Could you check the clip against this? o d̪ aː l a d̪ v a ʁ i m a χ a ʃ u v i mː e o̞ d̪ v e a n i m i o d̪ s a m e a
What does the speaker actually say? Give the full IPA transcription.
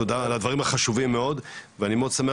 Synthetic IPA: o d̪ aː l a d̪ v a ʁ i m a χ a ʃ u v i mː e o̞ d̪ v e a n i m e o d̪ s a m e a